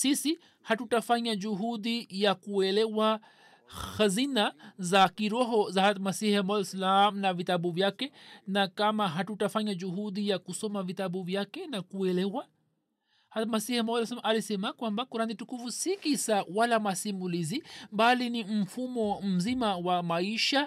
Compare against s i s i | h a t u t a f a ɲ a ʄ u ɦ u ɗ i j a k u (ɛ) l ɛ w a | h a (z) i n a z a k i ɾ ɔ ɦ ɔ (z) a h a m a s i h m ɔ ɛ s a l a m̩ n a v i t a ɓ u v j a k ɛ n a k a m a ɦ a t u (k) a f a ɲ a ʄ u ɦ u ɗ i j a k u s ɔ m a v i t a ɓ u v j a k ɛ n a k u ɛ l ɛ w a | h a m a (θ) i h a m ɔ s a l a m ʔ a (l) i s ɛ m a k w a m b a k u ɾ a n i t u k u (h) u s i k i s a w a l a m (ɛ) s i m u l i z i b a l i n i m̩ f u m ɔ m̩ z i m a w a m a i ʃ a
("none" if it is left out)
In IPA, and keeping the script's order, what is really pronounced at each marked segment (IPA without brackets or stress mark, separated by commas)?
ɛ, z, z, t, s, l, f, a